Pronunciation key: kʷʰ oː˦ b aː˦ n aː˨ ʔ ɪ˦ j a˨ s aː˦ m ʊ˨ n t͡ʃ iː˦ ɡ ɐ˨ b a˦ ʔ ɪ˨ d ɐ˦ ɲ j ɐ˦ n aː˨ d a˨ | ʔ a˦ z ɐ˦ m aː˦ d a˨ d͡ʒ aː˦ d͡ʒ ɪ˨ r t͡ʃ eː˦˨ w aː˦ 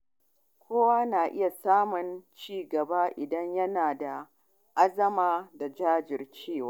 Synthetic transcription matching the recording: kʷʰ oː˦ w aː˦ n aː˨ ʔ ɪ˦ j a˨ s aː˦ m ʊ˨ n t͡ʃ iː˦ ɡ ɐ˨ b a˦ ʔ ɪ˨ d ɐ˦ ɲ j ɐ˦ n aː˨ d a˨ | ʔ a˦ z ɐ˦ m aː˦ d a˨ d͡ʒ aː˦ d͡ʒ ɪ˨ r t͡ʃ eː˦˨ w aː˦